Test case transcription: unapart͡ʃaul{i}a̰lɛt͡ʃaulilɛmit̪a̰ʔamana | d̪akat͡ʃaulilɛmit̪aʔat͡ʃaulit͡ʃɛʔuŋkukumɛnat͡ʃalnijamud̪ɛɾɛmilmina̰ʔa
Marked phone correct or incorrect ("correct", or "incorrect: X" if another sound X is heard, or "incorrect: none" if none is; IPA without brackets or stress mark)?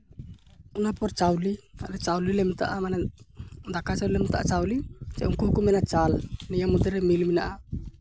correct